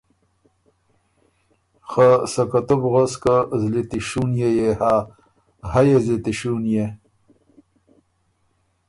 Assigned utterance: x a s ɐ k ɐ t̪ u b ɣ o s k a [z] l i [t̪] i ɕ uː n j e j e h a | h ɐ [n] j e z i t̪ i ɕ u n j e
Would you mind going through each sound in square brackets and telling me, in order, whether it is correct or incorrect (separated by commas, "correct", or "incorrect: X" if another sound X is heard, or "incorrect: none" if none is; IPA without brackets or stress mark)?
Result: correct, correct, incorrect: none